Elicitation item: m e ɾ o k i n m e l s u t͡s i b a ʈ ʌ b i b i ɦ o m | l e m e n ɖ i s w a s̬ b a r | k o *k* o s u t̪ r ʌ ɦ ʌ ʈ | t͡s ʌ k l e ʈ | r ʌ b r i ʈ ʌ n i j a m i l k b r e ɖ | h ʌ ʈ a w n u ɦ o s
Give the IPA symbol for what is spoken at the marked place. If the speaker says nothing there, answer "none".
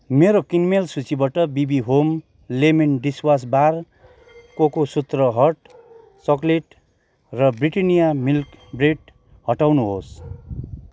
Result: k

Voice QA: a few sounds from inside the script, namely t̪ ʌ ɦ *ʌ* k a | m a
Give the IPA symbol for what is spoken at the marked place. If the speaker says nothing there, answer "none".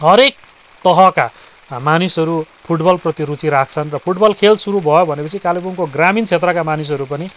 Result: ʌ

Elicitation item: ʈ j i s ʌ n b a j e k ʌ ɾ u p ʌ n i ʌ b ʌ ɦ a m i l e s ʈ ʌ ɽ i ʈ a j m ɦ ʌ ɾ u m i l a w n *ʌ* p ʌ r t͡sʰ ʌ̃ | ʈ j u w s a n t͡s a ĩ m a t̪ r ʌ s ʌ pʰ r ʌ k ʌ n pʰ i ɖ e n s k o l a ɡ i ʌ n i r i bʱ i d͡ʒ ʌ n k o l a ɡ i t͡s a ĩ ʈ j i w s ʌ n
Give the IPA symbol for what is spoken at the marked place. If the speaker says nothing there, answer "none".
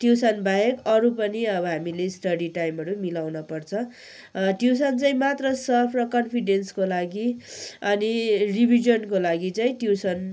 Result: ʌ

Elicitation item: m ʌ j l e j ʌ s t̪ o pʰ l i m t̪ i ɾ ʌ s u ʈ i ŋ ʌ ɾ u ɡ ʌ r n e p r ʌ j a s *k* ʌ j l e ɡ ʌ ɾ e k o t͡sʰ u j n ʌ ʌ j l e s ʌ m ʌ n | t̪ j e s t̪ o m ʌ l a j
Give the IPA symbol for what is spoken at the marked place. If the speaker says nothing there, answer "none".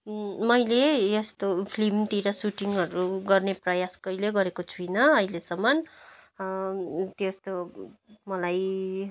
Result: k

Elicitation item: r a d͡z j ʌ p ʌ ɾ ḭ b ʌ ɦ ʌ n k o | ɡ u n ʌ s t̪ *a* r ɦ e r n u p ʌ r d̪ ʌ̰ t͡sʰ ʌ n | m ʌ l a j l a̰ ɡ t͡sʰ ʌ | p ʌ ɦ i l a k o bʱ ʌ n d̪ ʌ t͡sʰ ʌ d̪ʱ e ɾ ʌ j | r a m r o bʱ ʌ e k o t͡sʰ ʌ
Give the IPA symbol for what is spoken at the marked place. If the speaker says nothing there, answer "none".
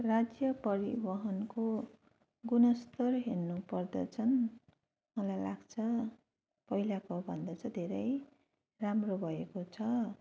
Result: ʌ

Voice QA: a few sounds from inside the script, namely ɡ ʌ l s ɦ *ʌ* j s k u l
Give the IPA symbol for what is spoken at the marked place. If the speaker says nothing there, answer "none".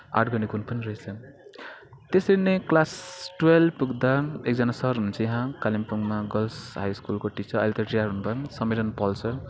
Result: a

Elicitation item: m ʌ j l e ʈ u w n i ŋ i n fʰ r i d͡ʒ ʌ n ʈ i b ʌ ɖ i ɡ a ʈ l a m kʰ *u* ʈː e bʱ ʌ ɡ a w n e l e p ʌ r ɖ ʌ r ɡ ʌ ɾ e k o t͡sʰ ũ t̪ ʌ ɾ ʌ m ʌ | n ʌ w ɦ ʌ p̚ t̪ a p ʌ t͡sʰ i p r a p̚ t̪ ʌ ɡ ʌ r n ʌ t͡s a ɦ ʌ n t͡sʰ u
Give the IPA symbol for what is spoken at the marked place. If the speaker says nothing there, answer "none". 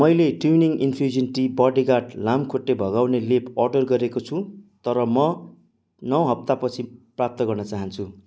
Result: o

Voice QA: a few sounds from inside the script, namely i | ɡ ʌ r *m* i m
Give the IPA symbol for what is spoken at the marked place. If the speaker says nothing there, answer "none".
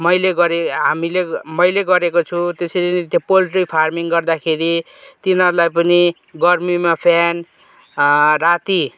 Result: m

